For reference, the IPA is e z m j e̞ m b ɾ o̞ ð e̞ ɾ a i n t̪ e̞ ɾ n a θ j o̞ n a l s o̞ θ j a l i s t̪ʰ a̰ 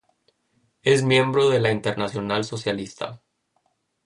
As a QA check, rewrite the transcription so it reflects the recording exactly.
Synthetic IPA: e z m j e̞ m b ɾ o̞ ð e̞ l a i n t̪ e̞ ɾ n a s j o̞ n a l s o̞ s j a l i s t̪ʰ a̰